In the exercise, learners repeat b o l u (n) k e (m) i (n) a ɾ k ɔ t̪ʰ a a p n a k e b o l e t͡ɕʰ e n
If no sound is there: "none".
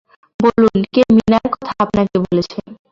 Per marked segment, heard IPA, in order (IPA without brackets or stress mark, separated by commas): n, m, n